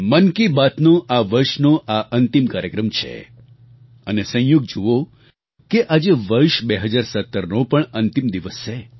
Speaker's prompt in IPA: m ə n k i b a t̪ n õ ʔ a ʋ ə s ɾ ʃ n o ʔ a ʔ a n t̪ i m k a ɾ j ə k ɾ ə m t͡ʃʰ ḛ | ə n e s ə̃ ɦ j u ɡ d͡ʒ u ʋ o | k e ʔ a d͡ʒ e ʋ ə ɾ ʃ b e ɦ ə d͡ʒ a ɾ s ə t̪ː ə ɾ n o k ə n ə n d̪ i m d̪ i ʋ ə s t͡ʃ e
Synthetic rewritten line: m ə n k i b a t̪ n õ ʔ a ʋ ə ɾ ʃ n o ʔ a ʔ ə n t̪ i m k a ɾ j ə k ɾ ə m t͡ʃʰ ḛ | ə n e s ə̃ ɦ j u ɡ d͡ʒ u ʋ o | k e ʔ a d͡ʒ e ʋ ə ɾ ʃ b e ɦ ə d͡ʒ a ɾ s ə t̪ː ə ɾ n o p ə ɳ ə n t̪ i m d̪ i ʋ ə s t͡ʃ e